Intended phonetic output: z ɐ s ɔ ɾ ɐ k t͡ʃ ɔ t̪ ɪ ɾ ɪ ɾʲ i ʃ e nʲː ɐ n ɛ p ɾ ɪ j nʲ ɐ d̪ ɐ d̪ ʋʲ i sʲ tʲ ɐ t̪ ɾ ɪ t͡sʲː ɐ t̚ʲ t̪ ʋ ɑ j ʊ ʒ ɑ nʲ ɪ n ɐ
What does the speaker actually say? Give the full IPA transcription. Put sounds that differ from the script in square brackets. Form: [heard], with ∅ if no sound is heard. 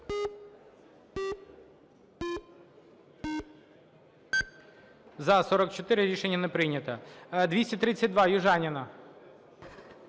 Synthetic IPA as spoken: z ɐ s ɔ ɾ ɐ k t͡ʃ ɔ t̪ ɪ ɾ ɪ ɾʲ i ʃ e nʲː ɐ n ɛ p ɾ ɪ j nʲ ɐ [t̪] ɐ d̪ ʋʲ i sʲ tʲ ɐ t̪ ɾ ɪ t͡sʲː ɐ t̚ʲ [d̪] ʋ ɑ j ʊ ʒ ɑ nʲ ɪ n ɐ